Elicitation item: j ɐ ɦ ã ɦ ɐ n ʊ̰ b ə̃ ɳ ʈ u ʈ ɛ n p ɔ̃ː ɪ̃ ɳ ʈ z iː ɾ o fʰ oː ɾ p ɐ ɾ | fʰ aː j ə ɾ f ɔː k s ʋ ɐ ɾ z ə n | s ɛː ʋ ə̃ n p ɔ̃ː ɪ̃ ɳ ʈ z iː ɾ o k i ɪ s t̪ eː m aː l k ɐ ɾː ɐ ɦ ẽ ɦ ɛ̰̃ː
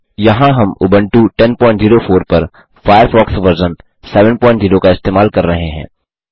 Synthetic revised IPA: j ɐ ɦ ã ɦ ɐ m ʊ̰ b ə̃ ɳ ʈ u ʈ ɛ n p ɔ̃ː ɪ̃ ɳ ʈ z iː ɾ o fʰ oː ɾ p ɐ ɾ | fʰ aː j ə ɾ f ɔː k s ʋ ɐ ɾ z ə n | s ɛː ʋ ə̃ n p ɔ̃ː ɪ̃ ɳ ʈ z iː ɾ o k a ɪ s t̪ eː m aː l k ɐ ɾː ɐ ɦ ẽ ɦ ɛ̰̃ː